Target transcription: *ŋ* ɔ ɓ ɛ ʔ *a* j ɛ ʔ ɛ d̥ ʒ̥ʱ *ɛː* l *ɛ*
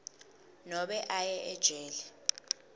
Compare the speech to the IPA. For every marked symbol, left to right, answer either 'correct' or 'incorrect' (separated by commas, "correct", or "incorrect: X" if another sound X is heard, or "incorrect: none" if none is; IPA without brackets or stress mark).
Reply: incorrect: n, correct, correct, correct